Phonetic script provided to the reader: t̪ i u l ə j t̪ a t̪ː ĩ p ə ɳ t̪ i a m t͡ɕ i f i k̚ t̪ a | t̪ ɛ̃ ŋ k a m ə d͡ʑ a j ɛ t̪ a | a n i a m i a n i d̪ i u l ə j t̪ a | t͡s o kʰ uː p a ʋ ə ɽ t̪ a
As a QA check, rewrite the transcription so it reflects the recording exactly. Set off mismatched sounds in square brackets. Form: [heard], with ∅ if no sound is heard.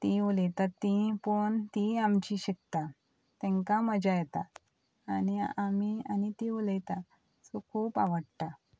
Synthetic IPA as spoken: t̪ i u l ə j t̪ a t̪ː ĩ p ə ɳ t̪ i a m t͡ɕ i [ɕ] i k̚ t̪ a | t̪ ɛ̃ ŋ k a m ə d͡ʑ a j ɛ t̪ a | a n i a m i a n i [t̪] i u l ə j t̪ a | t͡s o kʰ uː p a ʋ ə ɽ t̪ a